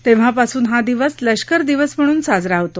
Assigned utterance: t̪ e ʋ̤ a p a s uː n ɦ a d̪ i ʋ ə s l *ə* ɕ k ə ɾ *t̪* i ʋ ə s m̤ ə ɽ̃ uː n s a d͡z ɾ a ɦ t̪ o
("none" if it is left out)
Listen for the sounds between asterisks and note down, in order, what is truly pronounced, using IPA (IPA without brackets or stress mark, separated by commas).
ə, d̪